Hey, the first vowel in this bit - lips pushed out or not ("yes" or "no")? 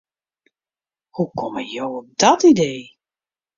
yes